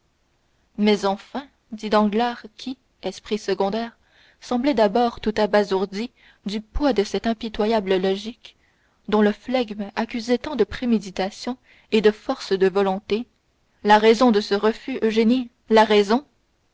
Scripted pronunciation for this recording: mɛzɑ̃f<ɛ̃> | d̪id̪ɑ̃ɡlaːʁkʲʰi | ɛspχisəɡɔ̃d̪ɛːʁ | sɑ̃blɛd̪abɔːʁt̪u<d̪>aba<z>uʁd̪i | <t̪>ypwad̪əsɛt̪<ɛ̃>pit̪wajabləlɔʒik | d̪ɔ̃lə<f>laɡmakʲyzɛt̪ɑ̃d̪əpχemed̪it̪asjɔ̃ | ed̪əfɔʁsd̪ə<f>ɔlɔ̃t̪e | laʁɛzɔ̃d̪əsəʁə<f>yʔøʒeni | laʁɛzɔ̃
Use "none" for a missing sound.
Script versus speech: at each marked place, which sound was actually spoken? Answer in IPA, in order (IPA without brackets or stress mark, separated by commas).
ɛ̃, t̪, z, d̪, ɛ̃, f, v, f